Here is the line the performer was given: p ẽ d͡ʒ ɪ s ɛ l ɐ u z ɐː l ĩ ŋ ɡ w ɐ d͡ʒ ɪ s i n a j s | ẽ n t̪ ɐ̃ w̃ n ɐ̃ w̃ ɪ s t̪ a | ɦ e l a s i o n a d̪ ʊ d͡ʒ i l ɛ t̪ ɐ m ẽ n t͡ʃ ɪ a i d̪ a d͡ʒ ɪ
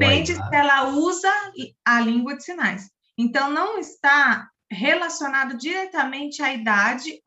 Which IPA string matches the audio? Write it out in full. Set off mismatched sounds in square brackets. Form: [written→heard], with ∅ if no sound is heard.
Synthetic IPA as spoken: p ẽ d͡ʒ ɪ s ɛ l ɐ u z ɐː l ĩ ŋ ɡ w ɐ d͡ʒ ɪ s i n a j s | ẽ n t̪ ɐ̃ w̃ n ɐ̃ w̃ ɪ s t̪ a | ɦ e l a s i o n a d̪ ʊ d͡ʒ i [l→ɾ] ɛ t̪ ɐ m ẽ n t͡ʃ ɪ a i d̪ a d͡ʒ ɪ